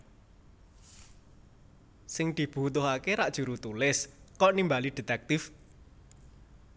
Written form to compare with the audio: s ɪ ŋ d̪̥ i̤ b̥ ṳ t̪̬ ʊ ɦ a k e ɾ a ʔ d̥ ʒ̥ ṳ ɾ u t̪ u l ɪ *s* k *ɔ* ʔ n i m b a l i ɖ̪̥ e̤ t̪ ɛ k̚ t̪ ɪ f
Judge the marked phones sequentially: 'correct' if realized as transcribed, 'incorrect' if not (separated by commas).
correct, correct